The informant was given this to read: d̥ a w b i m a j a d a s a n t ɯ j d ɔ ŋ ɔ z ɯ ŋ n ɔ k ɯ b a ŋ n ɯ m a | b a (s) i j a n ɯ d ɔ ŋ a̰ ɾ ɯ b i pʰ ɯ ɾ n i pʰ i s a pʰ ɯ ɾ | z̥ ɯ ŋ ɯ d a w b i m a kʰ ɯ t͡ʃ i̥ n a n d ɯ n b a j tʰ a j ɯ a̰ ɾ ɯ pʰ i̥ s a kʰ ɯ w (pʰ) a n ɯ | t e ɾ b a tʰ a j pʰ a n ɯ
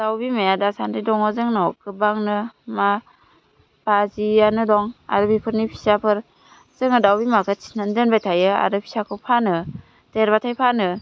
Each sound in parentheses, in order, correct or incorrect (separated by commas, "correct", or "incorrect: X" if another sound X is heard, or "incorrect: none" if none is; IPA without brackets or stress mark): incorrect: z, correct